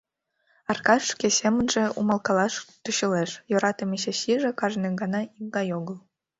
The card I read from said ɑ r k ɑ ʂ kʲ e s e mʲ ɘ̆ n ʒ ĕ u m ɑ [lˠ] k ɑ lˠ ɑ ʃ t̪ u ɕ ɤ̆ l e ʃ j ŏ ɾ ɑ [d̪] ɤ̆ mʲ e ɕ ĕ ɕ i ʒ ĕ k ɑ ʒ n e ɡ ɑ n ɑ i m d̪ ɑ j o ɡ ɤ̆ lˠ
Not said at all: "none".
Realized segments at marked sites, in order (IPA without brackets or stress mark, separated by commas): lˠ, t̪